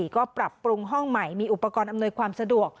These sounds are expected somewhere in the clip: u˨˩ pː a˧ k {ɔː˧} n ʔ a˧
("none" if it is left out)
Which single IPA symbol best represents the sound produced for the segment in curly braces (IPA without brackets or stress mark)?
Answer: ɔː˧